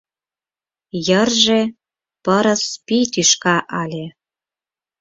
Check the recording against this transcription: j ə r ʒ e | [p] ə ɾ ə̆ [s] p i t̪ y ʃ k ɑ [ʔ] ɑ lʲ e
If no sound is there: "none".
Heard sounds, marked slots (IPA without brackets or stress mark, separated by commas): p, s, ʔ